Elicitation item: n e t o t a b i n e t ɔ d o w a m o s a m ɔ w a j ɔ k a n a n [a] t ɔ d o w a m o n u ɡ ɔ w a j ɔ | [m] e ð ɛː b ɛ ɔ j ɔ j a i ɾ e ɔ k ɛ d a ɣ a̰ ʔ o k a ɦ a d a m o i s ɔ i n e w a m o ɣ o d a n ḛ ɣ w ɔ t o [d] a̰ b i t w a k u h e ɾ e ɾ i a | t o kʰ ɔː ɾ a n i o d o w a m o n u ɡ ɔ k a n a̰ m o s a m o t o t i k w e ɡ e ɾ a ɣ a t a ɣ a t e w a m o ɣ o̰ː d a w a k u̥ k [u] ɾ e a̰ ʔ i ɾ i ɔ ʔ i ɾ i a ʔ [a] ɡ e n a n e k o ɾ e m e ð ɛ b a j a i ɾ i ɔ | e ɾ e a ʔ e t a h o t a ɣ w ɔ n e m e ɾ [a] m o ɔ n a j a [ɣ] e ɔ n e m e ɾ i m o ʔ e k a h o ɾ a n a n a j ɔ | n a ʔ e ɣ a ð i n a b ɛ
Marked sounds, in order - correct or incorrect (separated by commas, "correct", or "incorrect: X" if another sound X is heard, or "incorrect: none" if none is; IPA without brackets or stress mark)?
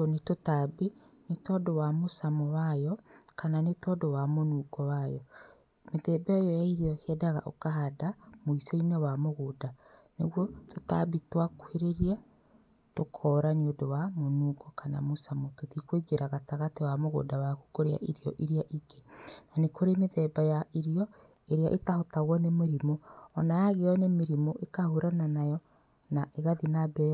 incorrect: e, correct, incorrect: t, incorrect: o, incorrect: i, incorrect: i, correct